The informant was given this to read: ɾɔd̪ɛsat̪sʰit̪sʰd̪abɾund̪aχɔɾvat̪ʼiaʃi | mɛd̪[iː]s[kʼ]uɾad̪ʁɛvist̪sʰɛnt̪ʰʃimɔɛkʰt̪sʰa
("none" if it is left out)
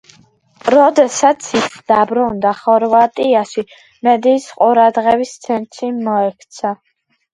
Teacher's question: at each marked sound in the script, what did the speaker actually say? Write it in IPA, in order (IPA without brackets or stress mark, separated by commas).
iː, qʼ